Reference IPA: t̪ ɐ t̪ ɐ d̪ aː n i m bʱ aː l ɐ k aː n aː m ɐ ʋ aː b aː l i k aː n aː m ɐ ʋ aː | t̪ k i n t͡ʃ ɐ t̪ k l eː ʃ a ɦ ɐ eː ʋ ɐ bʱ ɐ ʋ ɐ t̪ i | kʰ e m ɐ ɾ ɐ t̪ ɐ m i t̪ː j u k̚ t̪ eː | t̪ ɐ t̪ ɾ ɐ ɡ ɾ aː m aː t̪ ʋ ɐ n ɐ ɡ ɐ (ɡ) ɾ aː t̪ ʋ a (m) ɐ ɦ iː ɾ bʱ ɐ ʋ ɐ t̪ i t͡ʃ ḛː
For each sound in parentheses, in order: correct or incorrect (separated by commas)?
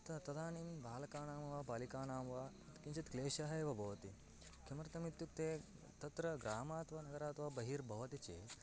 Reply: incorrect, incorrect